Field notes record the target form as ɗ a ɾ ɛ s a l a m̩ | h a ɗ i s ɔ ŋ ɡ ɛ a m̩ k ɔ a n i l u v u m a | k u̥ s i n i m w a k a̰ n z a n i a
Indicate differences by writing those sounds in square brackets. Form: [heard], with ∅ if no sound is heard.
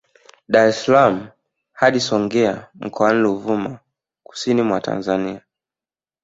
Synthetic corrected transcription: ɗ a ɾ ɛ s a l a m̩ | h a ɗ i s ɔ ŋ ɡ ɛ a m̩ k ɔ a n i l u v u m a | k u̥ s i n i m w a [t] a̰ n z a n i a

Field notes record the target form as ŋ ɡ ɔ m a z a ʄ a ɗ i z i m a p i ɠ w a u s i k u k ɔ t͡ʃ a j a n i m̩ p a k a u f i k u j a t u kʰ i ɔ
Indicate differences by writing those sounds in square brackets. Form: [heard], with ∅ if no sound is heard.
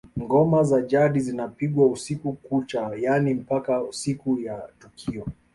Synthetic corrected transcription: ŋ ɡ ɔ m a z a ʄ a ɗ i z i [n] a p i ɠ w a u s i k u k [u] t͡ʃ a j a n i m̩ p a k a u [s] i k u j a t u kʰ i ɔ

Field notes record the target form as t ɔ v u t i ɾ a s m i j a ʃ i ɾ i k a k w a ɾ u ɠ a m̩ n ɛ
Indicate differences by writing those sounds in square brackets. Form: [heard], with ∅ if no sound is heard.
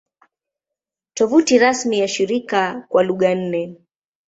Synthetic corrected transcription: t ɔ v u t i ɾ a s m i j a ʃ i ɾ i k a k w a [l] u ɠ a [n̩] n ɛ

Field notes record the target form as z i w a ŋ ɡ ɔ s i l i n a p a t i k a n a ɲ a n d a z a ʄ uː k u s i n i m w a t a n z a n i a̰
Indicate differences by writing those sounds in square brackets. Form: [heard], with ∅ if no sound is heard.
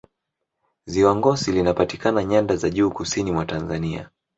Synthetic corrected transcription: z i w a ŋ ɡ ɔ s i l i n a p a t i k a n a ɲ a n d a z a ʄ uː k u s i n i m w a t a n z a n i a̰

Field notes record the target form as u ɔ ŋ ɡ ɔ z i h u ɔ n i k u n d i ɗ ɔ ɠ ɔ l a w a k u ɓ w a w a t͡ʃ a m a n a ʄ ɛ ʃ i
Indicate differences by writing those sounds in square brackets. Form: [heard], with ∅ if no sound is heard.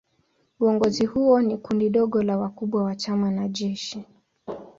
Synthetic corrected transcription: u ɔ ŋ ɡ ɔ z i h u ɔ n i k u n d i ɗ ɔ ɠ ɔ l a w a k u ɓ w a w a t͡ʃ a m a n a ʄ ɛ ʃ i

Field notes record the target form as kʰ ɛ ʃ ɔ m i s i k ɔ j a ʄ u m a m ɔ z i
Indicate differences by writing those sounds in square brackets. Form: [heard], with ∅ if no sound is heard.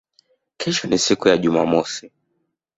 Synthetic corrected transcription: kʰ ɛ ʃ ɔ [n] i s i k [u] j a ʄ u m a m ɔ [s] i

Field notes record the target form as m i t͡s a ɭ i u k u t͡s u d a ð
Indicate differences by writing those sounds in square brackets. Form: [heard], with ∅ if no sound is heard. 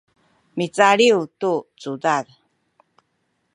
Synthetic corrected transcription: m i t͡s a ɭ i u [t] u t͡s u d a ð

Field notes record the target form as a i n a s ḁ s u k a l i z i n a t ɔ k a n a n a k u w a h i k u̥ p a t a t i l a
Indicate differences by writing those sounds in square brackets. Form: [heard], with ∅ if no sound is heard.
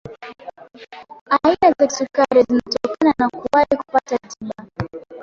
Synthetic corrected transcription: a i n a [z] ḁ s u k a [ɾ] i z i n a t ɔ k a n a n a k u w a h i k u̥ p a t a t i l a

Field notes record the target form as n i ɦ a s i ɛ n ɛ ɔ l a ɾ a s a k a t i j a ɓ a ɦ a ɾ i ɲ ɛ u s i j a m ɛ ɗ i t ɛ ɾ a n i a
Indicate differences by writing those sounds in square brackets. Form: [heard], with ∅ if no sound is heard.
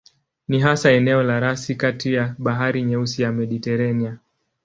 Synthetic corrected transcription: n i ɦ a s [a] ɛ n ɛ ɔ l a ɾ a s [i] k a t i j a ɓ a ɦ a ɾ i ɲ ɛ u s i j a m ɛ ɗ i t ɛ ɾ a n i a

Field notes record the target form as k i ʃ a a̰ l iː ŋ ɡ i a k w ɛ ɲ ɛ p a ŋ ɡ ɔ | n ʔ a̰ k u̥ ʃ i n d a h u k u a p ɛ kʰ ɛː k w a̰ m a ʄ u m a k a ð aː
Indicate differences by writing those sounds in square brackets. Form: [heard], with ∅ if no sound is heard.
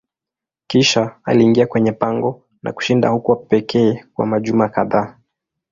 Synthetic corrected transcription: k i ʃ a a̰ l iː ŋ ɡ i a k w ɛ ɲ ɛ p a ŋ ɡ ɔ | n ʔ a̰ k u̥ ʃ i n d a h u k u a p ɛ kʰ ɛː k w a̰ m a ʄ u m a k a ð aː

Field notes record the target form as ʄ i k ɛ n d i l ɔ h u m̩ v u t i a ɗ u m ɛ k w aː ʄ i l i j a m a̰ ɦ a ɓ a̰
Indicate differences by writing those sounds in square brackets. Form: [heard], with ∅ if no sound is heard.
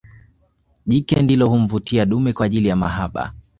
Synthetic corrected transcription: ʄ i k ɛ n d i l ɔ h u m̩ v u t i a ɗ u m ɛ k w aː ʄ i l i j a m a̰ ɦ a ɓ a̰

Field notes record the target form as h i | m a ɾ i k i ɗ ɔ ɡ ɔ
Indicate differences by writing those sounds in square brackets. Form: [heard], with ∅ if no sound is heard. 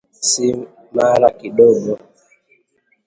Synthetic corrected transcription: [s] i | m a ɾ [a] k i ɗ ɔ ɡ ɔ

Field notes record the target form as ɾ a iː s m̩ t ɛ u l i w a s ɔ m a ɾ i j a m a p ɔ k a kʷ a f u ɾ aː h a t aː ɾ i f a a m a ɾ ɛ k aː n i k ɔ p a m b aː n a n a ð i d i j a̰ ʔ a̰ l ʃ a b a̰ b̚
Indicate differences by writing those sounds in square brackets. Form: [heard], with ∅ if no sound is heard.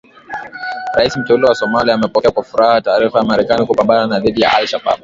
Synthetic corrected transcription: ɾ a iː s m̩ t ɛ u l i w a s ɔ m a [l] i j a m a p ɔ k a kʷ a f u ɾ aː h a t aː ɾ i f a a m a ɾ ɛ k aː n i k [u] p a m b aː n a n a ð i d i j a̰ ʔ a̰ l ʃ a b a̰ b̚

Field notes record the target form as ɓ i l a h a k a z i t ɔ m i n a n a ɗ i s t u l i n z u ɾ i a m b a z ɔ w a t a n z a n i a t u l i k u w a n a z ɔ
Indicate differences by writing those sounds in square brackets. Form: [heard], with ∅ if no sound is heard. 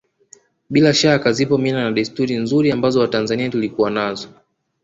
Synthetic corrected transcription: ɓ i l a [ʃ] a k a z i [p] ɔ m i n a n a ɗ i s t u [ɾ] i n z u ɾ i a m b a z ɔ w a t a n z a n i a t u l i k u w a n a z ɔ

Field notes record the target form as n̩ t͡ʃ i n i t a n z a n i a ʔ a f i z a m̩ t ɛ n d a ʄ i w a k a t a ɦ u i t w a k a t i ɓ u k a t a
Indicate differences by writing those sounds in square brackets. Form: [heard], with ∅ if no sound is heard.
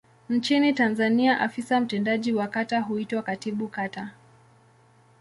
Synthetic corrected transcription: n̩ t͡ʃ i n i t a n z a n i a ʔ a f i [s] a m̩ t ɛ n d a ʄ i w a k a t a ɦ u i t w a k a t i ɓ u k a t a

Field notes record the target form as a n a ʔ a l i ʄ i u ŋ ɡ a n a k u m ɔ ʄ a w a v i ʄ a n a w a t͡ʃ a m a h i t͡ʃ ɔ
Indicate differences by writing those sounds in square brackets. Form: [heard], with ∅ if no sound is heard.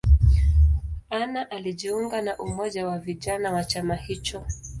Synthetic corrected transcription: a n a ʔ a l i ʄ i u ŋ ɡ a n a [ʔ] u m ɔ ʄ a w a v i ʄ a n a w a t͡ʃ a m a h i t͡ʃ ɔ

